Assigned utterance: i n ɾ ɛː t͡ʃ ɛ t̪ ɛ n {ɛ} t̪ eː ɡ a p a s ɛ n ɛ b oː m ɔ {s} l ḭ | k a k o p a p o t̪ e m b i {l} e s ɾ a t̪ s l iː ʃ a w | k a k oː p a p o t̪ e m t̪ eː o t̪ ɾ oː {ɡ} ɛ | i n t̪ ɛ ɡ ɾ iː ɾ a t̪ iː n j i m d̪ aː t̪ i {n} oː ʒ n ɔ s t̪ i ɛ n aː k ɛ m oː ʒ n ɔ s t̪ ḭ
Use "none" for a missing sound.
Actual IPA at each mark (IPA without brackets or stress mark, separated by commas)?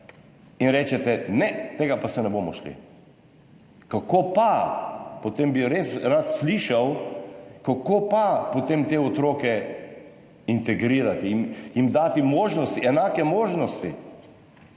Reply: ɛ, ʃ, ɾ, k, m